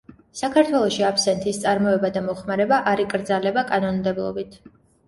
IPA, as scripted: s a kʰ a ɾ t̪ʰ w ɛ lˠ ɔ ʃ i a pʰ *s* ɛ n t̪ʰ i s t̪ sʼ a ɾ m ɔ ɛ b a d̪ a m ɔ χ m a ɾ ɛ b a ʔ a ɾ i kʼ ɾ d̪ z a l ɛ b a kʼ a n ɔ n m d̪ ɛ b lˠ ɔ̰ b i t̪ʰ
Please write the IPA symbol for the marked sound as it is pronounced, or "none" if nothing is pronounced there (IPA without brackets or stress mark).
s